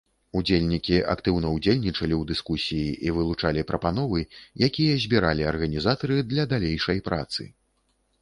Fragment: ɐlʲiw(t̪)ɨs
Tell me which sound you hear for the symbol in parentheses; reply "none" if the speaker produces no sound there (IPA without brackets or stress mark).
d̪